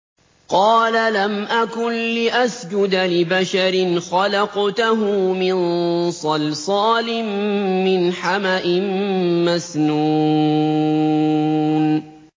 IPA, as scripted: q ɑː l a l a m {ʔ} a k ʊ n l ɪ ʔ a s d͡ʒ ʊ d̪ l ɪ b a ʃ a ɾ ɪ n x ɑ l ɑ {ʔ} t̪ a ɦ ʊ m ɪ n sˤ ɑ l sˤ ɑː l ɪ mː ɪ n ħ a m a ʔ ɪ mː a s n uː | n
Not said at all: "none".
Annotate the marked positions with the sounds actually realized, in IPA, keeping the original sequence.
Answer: ʔ, q

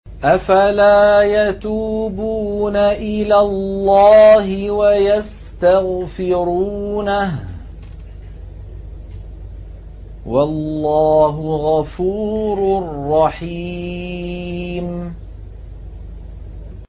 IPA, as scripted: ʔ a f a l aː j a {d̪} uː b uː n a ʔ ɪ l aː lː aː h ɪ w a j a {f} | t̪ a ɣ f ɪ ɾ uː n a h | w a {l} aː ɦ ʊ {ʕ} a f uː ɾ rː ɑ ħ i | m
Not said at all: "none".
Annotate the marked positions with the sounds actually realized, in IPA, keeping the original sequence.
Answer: t̪, s, lː, ɣ

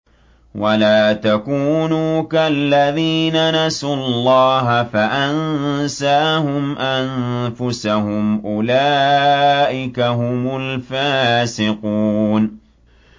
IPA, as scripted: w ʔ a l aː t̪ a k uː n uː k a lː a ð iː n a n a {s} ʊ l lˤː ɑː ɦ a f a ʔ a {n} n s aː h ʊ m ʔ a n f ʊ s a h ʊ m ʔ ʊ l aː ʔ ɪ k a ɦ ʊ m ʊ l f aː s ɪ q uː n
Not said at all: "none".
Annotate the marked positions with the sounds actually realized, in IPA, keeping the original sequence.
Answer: s, n

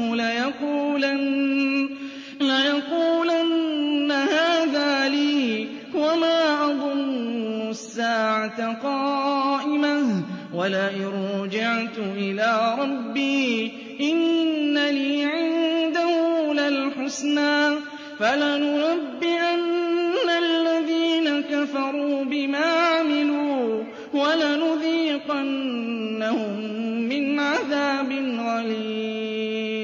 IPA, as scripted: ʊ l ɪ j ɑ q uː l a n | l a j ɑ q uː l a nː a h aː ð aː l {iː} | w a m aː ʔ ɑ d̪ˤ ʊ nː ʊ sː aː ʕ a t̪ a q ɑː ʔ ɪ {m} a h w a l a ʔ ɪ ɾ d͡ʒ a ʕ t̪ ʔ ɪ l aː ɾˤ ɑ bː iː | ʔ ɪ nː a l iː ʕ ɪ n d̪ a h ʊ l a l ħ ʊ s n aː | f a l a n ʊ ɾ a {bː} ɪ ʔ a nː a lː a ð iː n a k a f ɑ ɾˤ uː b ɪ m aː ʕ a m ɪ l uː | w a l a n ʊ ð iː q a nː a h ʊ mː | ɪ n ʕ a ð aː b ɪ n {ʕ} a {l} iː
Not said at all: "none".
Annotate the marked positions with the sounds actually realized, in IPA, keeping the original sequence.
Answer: iː, m, bː, ɣ, l

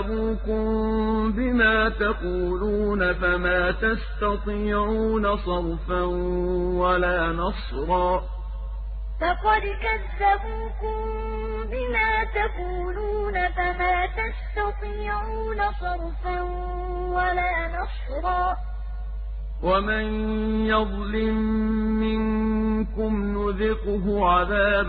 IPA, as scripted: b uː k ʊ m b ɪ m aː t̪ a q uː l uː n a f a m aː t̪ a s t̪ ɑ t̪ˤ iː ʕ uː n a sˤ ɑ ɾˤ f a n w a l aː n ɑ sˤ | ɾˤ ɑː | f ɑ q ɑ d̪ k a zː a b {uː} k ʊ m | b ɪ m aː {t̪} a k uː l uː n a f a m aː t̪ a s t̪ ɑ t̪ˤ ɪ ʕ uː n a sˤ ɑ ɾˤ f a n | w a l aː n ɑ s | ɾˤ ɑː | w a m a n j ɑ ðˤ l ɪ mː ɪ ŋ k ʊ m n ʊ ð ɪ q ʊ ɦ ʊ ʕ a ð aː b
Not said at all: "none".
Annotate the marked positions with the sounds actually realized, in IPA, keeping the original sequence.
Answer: uː, t̪

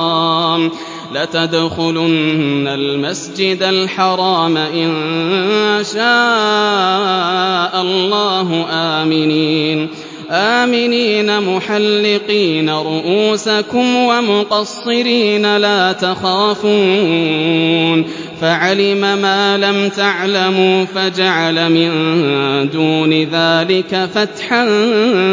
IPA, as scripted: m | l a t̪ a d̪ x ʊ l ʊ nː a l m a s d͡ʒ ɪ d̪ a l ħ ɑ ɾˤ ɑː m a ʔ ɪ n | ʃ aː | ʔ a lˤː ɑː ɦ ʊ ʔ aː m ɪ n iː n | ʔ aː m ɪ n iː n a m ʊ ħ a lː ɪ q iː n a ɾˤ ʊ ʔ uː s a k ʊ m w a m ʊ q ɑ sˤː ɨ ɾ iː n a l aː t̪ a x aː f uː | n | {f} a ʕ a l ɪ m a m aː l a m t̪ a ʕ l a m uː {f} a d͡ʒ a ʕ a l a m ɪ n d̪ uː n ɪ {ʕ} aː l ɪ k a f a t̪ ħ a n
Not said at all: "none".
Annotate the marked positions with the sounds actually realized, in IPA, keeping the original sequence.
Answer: f, f, ð

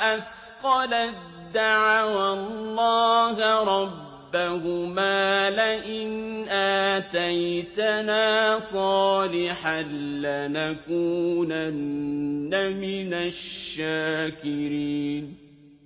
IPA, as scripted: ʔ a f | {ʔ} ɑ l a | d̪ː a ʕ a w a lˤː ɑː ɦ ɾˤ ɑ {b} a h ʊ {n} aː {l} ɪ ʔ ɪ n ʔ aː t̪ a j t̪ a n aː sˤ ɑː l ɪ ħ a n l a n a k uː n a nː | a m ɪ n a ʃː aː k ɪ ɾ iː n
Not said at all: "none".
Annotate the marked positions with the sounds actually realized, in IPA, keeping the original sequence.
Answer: q, bː, m, l

